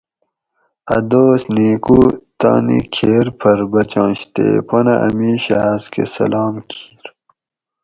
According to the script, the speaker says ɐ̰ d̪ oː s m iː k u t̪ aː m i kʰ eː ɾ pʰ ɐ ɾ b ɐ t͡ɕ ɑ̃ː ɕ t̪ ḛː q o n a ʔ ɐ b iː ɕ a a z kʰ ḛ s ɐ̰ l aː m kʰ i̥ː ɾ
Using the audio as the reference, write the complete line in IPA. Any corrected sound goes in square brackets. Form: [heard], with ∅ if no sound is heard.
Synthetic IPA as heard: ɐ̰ d̪ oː s [n] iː k u t̪ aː [n] i kʰ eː ɾ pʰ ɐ ɾ b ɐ t͡ɕ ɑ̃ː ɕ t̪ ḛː [p] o n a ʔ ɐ [m] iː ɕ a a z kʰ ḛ s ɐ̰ l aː m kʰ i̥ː ɾ